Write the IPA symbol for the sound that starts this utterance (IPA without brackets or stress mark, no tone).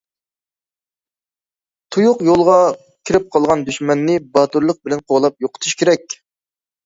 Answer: t̪ʰ